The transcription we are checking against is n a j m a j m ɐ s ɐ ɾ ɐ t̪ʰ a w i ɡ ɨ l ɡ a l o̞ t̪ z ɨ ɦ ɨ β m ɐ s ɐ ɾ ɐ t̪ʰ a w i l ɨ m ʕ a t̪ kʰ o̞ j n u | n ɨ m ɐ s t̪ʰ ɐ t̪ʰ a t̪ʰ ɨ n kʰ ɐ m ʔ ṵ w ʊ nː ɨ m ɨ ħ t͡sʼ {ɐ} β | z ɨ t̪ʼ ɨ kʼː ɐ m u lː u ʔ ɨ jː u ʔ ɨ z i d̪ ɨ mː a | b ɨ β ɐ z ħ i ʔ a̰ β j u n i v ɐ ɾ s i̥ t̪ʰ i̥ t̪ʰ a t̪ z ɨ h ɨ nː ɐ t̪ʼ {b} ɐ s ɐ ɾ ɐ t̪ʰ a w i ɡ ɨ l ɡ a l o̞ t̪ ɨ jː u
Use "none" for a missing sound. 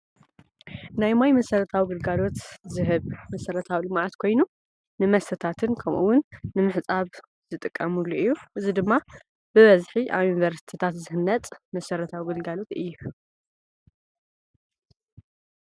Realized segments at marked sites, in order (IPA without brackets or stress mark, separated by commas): a, m